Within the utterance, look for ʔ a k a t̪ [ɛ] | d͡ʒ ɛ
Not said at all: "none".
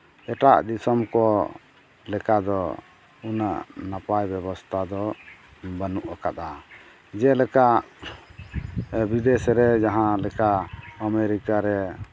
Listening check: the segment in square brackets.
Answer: a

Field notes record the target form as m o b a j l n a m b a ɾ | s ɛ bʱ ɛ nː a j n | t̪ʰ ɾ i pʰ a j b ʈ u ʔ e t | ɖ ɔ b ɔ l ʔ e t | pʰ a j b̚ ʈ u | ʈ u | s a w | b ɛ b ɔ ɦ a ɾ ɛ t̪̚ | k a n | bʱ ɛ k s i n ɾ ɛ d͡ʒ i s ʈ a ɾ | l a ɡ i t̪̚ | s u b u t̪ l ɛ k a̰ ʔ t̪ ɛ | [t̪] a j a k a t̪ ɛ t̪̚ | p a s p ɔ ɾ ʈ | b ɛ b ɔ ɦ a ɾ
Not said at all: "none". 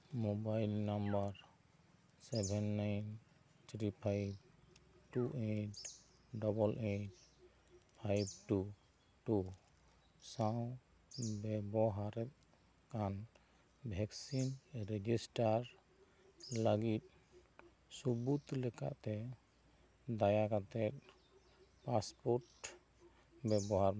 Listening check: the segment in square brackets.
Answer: d̪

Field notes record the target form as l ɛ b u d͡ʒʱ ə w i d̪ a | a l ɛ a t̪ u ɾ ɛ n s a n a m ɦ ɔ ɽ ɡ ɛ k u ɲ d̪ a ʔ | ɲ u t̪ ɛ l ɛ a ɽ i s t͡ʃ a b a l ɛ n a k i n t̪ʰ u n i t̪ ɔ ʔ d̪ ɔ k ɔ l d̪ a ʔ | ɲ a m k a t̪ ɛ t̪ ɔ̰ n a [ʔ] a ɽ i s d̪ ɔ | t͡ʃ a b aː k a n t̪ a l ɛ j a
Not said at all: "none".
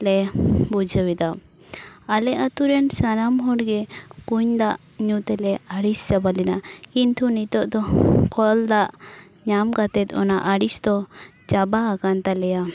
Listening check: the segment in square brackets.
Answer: ʔ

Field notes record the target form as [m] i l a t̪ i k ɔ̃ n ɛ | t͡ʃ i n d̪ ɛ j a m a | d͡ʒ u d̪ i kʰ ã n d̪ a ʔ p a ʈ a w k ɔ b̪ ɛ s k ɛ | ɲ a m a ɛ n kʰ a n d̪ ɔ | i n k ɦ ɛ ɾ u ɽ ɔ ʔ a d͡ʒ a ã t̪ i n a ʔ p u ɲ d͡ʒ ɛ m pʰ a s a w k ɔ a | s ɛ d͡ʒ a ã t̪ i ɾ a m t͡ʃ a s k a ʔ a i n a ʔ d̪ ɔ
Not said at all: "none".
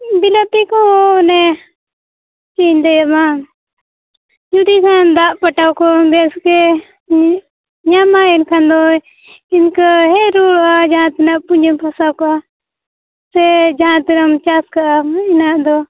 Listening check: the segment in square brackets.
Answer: b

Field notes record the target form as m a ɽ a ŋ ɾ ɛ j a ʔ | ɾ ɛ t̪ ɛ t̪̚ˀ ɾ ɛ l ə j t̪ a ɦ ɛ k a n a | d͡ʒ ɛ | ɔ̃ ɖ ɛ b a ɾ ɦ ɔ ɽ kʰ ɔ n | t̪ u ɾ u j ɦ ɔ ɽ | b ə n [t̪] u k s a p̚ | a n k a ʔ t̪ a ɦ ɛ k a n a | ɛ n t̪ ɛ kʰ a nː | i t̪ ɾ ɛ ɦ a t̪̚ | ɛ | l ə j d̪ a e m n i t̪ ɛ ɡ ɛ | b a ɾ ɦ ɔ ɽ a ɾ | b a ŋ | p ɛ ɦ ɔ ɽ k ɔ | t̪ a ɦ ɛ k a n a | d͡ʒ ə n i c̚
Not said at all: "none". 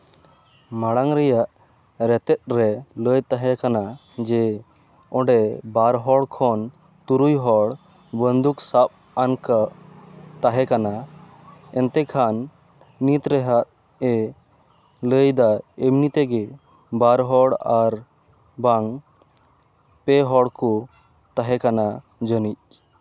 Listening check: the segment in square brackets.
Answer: d̪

